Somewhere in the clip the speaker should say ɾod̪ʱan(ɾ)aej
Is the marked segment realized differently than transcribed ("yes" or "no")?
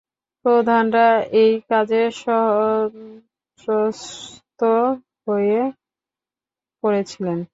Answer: no